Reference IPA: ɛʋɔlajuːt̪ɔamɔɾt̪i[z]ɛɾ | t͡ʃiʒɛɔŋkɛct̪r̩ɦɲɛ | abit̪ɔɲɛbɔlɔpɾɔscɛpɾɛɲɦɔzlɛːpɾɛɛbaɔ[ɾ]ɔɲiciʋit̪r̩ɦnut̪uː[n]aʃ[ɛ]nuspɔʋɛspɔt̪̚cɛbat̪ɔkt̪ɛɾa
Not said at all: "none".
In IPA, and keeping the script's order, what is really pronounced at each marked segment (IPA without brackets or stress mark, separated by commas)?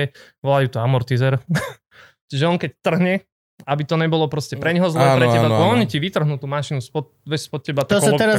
z, none, m, i